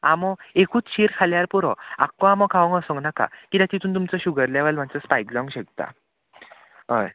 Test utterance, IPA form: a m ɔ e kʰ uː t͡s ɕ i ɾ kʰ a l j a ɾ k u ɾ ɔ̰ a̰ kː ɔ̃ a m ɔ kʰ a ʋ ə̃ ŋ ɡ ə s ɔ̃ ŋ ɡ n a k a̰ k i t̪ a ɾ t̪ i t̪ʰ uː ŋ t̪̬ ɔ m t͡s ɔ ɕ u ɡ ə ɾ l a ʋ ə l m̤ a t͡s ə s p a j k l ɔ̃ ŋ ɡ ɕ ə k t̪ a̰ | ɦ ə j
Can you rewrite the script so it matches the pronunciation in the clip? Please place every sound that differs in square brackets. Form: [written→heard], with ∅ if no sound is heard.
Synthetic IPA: a m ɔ e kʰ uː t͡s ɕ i ɾ kʰ a l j a ɾ [k→p] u ɾ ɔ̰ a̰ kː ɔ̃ a m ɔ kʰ a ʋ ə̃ ŋ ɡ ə s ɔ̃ ŋ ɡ n a k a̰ k i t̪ a [ɾ→∅] t̪ i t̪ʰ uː [ŋ→n] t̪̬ [ɔ→u] m t͡s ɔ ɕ u ɡ ə ɾ l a ʋ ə l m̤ a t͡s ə s p a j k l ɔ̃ ŋ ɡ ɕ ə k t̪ a̰ | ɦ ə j